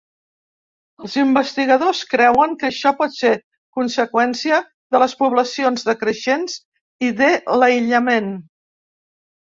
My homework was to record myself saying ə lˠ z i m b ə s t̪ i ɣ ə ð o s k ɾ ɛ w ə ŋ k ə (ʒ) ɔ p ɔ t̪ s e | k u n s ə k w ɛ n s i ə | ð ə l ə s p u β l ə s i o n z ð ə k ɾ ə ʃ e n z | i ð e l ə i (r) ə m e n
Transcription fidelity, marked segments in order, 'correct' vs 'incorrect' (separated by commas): incorrect, incorrect